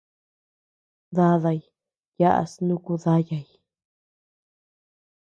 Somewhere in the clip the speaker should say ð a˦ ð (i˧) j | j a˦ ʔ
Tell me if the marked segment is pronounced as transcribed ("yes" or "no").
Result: no